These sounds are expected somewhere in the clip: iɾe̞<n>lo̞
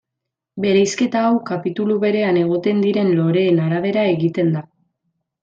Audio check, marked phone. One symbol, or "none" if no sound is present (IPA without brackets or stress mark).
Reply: n